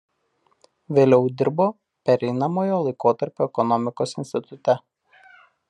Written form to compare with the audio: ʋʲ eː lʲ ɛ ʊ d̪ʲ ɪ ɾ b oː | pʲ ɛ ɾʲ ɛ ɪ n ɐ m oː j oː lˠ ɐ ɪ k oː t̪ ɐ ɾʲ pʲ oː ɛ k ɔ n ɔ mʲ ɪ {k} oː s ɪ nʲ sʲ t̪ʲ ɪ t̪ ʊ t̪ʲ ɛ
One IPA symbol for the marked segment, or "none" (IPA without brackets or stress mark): k